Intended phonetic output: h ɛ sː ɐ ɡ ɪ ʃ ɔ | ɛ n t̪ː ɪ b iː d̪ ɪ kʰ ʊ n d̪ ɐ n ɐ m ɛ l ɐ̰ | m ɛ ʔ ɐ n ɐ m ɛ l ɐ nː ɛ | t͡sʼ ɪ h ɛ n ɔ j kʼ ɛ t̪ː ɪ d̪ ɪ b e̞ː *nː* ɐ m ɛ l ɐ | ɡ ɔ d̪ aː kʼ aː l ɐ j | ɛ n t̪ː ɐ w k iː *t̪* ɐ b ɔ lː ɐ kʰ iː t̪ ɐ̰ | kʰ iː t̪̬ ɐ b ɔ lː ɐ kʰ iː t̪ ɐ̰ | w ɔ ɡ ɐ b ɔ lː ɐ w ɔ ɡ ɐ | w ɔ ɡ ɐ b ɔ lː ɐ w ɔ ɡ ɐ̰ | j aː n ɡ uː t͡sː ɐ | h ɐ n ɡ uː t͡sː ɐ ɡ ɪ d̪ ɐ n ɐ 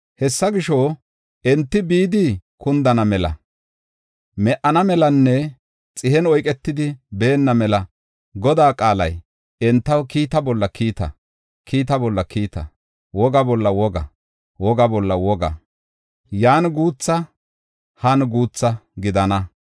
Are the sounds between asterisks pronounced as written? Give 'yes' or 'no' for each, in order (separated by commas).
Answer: yes, yes